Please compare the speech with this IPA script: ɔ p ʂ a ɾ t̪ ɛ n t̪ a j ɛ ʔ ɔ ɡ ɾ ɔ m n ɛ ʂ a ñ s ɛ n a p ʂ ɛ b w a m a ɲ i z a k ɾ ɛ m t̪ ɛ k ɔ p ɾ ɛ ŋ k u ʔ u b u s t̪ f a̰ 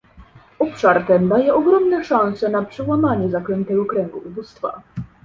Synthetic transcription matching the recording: ɔ p ʂ a ɾ t̪ ɛ n d̪ a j ɛ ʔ ɔ ɡ ɾ ɔ m n ɛ ʂ a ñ s ɛ n a p ʂ ɛ w a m a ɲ ɛ z a k ɾ ɛ n t̪ ɛ ɡ ɔ k ɾ ɛ ŋ ɡ u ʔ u b u s t̪ f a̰